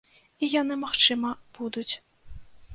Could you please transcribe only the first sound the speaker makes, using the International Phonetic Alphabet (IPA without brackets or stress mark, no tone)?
i